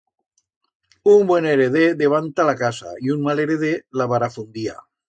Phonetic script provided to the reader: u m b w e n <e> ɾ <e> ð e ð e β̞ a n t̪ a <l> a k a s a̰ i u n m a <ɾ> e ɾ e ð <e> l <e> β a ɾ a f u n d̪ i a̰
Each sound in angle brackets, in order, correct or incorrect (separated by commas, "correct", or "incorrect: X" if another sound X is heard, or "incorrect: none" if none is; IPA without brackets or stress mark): correct, correct, correct, incorrect: l, correct, incorrect: a